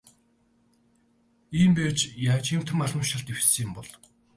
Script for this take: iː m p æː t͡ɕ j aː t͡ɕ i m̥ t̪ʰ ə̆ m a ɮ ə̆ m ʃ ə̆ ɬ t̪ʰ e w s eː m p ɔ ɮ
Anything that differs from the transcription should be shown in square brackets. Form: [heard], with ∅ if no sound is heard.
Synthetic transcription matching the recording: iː m p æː t͡ɕ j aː t͡ɕ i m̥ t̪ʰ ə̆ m a ɮ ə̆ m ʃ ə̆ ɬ [t̪] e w s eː m p ɔ ɮ